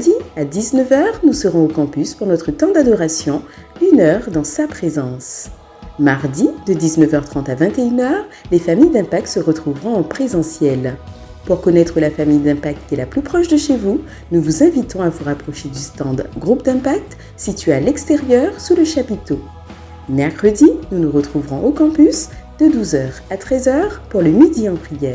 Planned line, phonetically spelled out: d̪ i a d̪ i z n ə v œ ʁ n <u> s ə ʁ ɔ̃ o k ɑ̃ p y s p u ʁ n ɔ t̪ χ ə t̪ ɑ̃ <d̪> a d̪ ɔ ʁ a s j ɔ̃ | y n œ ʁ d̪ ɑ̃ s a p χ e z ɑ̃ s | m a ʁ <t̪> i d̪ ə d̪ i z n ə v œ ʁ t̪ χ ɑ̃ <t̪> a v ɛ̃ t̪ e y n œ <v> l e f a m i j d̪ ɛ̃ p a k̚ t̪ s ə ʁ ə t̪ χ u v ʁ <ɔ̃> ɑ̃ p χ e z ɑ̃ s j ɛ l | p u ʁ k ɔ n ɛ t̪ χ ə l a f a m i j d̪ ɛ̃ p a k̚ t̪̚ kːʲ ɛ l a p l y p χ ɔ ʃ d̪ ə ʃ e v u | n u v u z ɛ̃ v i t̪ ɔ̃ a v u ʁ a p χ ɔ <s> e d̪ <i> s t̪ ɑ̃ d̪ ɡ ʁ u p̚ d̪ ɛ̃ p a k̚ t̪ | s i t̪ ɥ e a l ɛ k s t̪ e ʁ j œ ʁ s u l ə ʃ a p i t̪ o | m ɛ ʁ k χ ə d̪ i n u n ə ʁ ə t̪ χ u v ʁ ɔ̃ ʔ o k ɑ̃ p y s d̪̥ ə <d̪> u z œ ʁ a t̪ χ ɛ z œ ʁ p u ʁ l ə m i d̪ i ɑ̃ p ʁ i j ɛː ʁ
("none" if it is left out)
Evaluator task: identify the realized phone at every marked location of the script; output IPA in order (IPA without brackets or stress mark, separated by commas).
u, d̪, d̪, t̪, ʁ, ɔ̃, ʃ, y, d̪